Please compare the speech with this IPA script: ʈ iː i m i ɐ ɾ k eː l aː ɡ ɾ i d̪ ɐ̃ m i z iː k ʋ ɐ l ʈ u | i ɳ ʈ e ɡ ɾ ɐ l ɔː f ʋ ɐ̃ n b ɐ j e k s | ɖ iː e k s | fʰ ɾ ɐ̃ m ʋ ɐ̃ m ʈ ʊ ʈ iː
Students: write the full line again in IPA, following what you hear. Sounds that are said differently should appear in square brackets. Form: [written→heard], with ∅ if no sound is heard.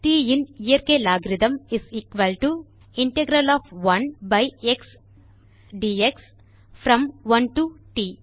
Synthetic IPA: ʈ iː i [m→n] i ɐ ɾ k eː l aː ɡ ɾ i d̪ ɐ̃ m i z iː k ʋ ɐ l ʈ u | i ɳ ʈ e ɡ ɾ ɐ l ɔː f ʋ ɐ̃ n b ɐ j e k s | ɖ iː e k s | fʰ ɾ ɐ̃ m ʋ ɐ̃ [m→n] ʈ [ʊ→u] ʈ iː